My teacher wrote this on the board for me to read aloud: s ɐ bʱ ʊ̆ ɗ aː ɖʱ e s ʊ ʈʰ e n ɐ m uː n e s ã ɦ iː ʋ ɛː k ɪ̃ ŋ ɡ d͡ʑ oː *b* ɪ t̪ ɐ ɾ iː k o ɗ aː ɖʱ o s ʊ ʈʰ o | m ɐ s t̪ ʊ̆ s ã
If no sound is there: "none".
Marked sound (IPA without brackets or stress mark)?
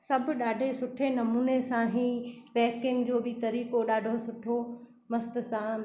b